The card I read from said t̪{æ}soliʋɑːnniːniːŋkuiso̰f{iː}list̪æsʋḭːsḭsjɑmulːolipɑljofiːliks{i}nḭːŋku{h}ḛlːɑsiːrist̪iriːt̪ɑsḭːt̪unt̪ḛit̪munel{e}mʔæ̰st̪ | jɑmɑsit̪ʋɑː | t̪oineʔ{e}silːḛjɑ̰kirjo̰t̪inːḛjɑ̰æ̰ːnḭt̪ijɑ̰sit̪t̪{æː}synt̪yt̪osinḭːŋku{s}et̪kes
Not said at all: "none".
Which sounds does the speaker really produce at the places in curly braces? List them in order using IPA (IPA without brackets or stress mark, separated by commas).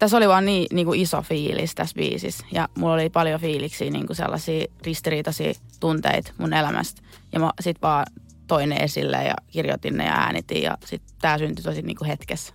æ, iː, iː, s, æ, e, æː, h